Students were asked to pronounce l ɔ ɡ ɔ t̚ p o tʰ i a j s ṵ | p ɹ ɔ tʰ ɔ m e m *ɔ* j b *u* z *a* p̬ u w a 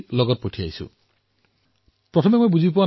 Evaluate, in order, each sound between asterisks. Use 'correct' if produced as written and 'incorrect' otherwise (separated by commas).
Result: incorrect, correct, incorrect